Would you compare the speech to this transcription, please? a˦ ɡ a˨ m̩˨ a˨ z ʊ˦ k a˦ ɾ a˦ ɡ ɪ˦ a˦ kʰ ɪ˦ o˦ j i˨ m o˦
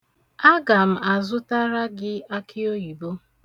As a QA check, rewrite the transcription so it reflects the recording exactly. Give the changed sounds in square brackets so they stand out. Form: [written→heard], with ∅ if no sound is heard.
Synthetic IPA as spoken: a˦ ɡ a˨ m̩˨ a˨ z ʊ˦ [k→t] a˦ ɾ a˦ ɡ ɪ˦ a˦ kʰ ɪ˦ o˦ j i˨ [m→b] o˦